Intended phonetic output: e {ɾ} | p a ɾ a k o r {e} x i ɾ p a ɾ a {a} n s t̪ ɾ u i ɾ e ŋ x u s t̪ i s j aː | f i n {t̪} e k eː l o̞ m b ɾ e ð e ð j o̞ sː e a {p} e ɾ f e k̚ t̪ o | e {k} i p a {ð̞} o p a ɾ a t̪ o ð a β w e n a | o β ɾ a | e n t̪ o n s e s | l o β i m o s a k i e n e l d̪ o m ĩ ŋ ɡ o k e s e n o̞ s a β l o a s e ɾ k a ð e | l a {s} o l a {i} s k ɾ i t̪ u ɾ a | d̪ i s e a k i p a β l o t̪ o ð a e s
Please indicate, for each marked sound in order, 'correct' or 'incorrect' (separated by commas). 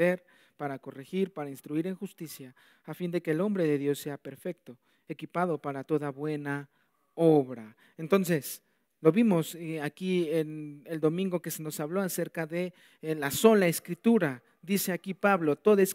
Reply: correct, correct, incorrect, incorrect, correct, correct, correct, correct, incorrect